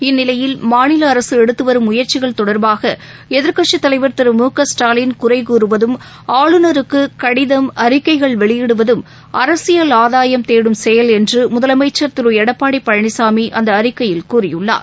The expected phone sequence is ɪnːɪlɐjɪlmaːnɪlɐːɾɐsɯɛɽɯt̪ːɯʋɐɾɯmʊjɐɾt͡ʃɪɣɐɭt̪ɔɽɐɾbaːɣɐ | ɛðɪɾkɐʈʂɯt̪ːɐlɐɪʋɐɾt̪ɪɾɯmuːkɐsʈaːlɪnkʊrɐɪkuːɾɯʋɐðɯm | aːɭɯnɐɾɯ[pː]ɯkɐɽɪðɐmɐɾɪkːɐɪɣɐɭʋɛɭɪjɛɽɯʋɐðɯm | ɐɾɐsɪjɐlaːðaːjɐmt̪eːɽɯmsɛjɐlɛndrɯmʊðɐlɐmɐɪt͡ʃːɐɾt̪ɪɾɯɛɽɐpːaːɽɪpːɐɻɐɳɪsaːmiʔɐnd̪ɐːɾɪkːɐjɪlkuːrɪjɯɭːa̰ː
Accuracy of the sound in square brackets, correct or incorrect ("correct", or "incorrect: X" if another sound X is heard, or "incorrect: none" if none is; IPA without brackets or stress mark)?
incorrect: kː